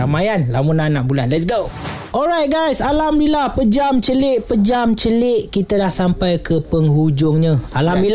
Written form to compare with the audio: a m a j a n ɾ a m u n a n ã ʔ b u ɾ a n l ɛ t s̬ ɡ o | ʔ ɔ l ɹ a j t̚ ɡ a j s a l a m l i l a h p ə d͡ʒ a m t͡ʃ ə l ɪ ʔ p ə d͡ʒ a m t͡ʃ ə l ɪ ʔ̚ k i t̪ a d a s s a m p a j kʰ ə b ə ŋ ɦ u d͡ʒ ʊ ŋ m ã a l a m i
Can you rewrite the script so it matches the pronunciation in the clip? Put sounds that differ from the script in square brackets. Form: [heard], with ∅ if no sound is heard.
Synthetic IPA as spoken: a m a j a n [l] a m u n a n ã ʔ b u [l] a n l ɛ t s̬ ɡ o | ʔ ɔ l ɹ a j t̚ ɡ a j s a l a m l i l a h p ə d͡ʒ a m t͡ʃ ə l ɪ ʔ p ə d͡ʒ a m t͡ʃ ə l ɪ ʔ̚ k i t̪ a d a [h] s a m p a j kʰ ə [p] ə ŋ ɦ u d͡ʒ ʊ ŋ [ɲ] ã a l a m i